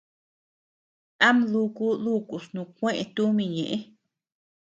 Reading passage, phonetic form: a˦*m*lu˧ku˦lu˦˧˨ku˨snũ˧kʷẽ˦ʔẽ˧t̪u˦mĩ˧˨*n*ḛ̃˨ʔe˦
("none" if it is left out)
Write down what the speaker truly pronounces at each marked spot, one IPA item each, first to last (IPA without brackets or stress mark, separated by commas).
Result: m, ɲ